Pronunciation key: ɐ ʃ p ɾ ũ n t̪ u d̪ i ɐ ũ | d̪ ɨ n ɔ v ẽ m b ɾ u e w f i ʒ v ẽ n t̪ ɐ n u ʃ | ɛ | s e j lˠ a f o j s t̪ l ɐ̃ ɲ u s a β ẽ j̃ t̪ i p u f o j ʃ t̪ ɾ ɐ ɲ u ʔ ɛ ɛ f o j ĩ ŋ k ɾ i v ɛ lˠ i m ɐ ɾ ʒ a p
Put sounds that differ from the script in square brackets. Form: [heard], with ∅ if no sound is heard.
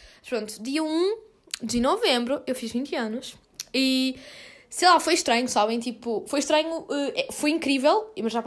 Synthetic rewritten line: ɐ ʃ p ɾ [õ] n t̪ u d̪ i ɐ ũ | d̪ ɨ n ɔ v ẽ m b ɾ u e w f i ʒ v [ĩ] n t̪ ɐ n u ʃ | [i] | s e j lˠ a f o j [ʃ] t̪ [ɾ] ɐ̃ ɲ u s a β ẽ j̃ t̪ i p u f o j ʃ t̪ ɾ ɐ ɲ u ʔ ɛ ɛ f o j ĩ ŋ k ɾ i v ɛ lˠ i m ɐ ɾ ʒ a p